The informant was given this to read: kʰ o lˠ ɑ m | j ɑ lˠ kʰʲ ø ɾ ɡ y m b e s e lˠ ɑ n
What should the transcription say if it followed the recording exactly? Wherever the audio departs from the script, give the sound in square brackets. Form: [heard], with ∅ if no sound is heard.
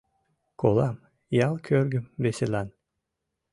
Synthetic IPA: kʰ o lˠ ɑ m | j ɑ lˠ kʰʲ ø ɾ ɡ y m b e s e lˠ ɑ n